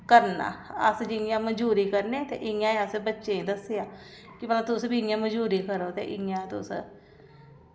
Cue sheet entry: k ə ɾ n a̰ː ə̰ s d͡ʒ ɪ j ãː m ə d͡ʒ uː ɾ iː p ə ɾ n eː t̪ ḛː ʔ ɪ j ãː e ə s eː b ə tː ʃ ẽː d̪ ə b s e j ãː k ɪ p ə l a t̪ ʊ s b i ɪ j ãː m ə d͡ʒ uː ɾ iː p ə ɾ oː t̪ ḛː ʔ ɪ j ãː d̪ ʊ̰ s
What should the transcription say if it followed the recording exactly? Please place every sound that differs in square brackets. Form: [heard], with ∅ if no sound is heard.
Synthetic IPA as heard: k ə ɾ n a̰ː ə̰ s d͡ʒ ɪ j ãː m ə d͡ʒ uː ɾ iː [k] ə ɾ n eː t̪ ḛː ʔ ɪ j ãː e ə s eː b ə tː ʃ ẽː d̪ ə [∅] s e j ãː k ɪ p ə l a t̪ ʊ s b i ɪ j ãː m ə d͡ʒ uː ɾ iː [k] ə ɾ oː t̪ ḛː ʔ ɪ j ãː [t̪] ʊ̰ s